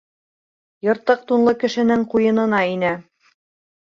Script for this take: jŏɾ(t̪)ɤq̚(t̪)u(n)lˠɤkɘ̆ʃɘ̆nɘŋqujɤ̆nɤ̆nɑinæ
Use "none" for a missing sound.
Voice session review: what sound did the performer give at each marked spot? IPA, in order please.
t̪, t̪, n

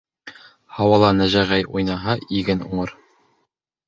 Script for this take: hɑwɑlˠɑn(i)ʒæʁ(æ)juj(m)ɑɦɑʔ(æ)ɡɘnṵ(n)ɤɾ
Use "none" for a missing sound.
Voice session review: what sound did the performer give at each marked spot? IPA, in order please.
æ, æ, n, i, ɴ

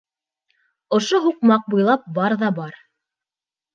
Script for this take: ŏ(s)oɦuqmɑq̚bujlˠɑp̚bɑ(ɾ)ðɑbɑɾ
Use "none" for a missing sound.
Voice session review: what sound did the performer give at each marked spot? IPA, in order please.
ʃ, ɾ

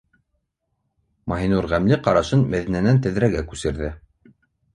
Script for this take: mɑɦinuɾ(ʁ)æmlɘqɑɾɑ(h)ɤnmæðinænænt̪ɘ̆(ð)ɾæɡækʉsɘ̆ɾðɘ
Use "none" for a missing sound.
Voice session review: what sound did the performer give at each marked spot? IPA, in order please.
ʁ, ʃ, ð

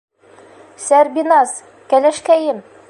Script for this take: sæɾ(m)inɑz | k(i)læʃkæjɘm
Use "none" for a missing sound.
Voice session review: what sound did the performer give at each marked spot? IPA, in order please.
b, æ

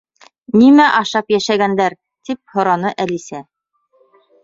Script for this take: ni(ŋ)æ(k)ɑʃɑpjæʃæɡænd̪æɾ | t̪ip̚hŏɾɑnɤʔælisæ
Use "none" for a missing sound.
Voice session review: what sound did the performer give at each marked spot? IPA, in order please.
m, ʔ

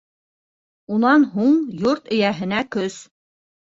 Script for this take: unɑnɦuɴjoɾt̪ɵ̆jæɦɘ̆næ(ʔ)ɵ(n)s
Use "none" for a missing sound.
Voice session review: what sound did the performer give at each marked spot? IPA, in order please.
k, none

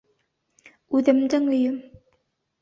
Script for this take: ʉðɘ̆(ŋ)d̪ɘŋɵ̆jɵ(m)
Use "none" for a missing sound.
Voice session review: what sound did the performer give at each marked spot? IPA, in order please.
m, m

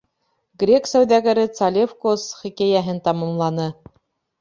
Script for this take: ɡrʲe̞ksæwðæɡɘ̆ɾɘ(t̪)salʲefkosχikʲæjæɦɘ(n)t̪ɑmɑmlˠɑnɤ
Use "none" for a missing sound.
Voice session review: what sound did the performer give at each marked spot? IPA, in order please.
t̪, n

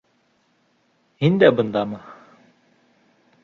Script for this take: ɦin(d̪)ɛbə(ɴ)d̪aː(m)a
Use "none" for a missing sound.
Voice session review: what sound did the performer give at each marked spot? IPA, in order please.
d̪, n, m

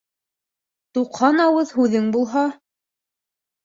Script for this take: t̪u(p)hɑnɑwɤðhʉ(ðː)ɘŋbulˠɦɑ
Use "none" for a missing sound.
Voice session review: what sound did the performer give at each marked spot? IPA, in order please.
q, ð

